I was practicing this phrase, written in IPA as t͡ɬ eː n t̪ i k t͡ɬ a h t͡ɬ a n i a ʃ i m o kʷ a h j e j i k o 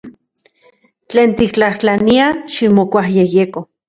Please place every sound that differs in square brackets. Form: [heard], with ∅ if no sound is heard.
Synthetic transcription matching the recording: t͡ɬ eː n t̪ i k t͡ɬ a h t͡ɬ a n i a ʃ i m o kʷ a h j e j [e] k o

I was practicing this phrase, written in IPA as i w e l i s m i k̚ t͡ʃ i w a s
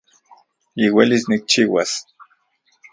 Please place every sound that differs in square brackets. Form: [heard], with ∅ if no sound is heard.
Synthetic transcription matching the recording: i w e l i s [n] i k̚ t͡ʃ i w a s

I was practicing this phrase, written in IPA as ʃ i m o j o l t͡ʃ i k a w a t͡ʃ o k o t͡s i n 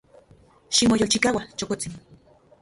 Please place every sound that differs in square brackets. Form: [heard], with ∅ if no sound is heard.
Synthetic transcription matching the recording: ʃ i m o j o l t͡ʃ i k a w a t͡ʃ o k o t͡s i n

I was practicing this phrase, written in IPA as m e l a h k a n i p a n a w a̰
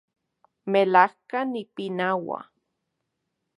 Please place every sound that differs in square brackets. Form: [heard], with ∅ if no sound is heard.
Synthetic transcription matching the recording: m e l a h k a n i p [i] n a w a̰

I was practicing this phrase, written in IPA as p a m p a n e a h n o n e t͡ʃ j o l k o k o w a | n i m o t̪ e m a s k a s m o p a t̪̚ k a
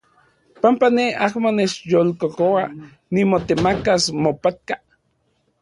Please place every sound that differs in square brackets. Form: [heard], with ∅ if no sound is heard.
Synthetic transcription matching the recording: p a m p a n e a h [m] o n e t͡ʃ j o l k o k o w a | n i m o t̪ e m a [∅] k a s m o p a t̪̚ k a

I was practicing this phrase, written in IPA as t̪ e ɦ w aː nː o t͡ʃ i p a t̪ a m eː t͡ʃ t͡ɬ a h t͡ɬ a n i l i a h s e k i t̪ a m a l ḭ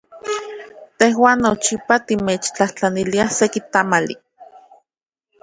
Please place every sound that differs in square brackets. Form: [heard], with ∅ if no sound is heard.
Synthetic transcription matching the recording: t̪ e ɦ w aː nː o t͡ʃ i p a t̪ [i] m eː t͡ʃ t͡ɬ a h t͡ɬ a n i l i a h s e k i t̪ a m a l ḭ

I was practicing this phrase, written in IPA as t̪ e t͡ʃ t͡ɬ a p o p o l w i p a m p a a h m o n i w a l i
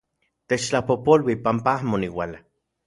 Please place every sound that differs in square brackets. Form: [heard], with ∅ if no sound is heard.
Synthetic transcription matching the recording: t̪ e t͡ʃ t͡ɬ a p o p o l w i p a m p a a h m o n i w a l [a]

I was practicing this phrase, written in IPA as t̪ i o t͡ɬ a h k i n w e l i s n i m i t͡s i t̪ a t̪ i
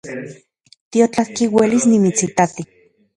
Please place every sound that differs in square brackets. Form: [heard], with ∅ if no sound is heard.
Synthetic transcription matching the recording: t̪ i o t͡ɬ a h k i [∅] w e l i s n i m i t͡s i t̪ a t̪ i

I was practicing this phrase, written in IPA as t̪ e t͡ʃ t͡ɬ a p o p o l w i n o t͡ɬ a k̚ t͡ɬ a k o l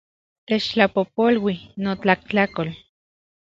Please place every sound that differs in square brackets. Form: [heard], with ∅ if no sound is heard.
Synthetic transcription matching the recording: t̪ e t͡ʃ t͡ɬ a p o p o l w i n o t͡ɬ a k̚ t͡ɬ a k o l

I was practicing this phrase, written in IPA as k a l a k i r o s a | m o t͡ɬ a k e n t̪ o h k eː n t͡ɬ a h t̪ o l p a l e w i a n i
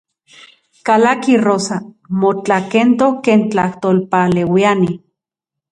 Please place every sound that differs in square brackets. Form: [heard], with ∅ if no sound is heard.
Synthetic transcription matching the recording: k a l a k i r o s a | m o t͡ɬ a k e n t̪ o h k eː n t͡ɬ a h t̪ o l p a l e w i a n i

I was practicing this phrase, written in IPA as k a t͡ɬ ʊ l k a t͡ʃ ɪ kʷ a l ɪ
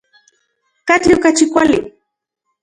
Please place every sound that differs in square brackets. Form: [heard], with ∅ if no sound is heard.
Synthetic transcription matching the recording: k a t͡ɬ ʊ [∅] k a t͡ʃ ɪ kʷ a l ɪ

